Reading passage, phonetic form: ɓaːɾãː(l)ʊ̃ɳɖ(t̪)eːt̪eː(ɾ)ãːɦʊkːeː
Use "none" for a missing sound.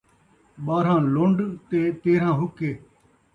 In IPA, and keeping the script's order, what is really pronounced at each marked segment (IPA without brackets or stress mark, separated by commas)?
l, t̪, ɾ